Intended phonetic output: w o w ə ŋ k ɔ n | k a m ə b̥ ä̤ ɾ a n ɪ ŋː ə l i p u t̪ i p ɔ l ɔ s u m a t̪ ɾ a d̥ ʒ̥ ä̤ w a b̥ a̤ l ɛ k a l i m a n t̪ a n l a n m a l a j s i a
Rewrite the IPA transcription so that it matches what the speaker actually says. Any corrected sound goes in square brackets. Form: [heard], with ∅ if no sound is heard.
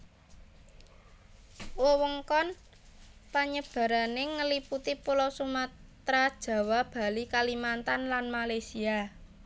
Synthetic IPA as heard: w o w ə ŋ k ɔ n | [p] a [ɲ] ə b̥ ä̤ ɾ a n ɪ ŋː ə l i p u t̪ i p [u] l ɔ s u m a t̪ ɾ a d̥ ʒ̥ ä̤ w a b̥ a̤ l [i] k a l i m a n t̪ a n l a n m a l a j s i a